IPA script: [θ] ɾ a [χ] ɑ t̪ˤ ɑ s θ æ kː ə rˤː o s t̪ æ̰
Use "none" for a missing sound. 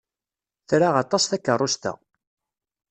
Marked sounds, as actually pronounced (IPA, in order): θ, ʁ

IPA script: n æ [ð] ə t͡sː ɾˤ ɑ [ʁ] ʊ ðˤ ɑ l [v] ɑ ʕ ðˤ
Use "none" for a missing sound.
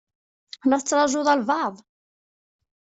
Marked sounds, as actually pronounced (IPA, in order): θ, ʒ, v

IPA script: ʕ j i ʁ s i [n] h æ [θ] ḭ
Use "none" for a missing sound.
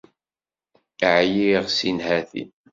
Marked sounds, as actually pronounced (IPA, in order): n, θ

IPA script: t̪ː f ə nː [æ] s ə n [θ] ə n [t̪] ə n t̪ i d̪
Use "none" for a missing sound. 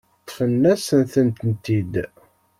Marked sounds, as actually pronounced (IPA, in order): æ, θ, t̪

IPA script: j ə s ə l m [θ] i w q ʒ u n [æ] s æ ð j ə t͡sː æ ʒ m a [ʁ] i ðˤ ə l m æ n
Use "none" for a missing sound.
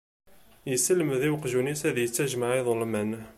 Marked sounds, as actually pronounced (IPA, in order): ð, i, ʕ

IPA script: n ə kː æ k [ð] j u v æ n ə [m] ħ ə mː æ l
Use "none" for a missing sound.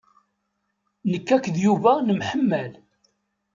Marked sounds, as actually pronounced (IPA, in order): ð, m

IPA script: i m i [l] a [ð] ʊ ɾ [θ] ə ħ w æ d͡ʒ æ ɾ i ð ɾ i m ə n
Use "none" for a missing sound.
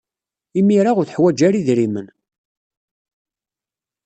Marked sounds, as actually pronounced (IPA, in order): ɾ, ʁ, θ

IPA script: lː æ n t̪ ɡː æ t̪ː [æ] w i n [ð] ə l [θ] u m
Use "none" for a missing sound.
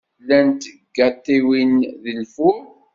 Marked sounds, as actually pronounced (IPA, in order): i, ð, f

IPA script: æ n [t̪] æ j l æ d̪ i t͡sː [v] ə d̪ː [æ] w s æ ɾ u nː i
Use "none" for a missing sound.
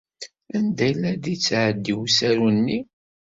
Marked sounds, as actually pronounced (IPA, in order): d̪, ʕ, i

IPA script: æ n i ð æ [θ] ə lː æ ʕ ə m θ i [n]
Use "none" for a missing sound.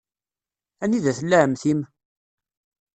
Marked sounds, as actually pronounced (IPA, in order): θ, m

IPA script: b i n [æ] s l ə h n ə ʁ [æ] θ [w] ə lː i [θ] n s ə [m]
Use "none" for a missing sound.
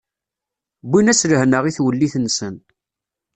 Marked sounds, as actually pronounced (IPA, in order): æ, i, w, θ, n

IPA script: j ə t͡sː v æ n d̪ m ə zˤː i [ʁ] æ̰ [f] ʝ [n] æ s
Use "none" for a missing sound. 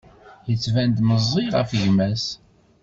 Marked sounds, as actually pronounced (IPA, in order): ʁ, f, m

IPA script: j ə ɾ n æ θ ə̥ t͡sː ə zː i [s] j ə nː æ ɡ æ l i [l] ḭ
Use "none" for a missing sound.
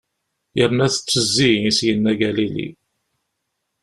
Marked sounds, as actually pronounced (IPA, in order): s, l

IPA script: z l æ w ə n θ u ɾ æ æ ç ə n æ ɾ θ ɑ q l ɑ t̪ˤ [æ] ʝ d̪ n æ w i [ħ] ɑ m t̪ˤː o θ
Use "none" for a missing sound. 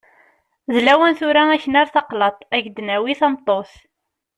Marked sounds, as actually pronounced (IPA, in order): æ, θ

